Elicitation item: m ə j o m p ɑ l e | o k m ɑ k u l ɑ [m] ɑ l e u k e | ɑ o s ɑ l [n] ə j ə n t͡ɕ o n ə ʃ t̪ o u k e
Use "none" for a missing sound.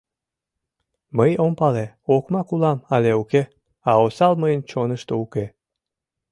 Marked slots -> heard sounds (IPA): m, m

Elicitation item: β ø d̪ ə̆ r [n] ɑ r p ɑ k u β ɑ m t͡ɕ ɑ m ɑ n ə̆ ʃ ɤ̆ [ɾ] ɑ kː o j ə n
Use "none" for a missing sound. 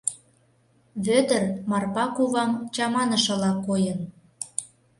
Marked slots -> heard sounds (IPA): m, l

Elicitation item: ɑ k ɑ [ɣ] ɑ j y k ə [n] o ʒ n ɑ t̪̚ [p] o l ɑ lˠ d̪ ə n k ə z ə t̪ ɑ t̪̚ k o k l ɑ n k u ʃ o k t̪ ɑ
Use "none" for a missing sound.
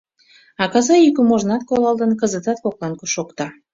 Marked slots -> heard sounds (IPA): z, m, k

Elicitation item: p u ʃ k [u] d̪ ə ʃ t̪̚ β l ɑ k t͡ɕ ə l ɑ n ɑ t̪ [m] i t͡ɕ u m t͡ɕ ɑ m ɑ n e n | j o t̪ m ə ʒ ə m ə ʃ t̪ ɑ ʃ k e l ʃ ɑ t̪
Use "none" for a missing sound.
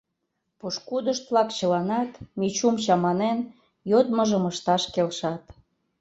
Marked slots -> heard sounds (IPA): u, m

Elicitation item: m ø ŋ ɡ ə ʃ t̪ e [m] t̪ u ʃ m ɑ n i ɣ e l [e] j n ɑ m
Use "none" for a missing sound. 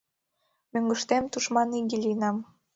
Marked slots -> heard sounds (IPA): m, i

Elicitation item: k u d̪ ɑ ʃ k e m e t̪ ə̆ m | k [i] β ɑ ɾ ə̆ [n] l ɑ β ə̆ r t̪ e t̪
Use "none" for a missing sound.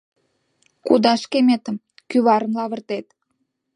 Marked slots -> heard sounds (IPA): y, n

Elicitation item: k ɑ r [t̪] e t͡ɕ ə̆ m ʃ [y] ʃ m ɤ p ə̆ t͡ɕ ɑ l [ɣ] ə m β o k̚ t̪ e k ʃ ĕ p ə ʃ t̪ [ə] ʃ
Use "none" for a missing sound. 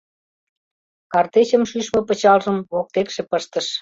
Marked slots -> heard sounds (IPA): t̪, y, ʒ, ə

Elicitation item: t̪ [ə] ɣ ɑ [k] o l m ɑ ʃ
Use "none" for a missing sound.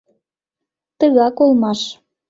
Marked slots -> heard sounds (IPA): ə, k

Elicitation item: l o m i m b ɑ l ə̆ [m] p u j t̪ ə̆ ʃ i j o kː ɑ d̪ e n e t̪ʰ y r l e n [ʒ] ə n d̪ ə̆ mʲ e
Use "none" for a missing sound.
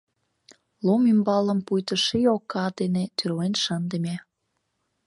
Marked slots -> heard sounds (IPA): m, ʃ

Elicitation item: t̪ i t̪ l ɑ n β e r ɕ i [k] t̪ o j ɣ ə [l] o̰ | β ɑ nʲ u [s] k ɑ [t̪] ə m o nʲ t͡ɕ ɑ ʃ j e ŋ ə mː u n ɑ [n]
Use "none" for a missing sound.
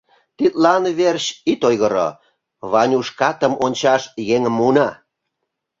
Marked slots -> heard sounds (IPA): none, ɾ, ʃ, t̪, none

